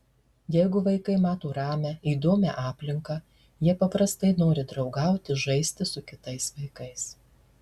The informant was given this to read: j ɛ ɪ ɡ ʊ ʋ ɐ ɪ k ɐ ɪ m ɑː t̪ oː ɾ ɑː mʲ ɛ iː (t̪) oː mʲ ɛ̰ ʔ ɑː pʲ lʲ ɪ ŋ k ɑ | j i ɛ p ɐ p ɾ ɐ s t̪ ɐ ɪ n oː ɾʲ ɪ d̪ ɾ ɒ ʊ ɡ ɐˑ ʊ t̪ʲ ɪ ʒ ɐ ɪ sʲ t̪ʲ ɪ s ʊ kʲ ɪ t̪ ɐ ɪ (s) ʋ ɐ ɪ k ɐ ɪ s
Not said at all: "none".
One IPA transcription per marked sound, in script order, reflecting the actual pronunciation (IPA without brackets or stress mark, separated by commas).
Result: d̪, s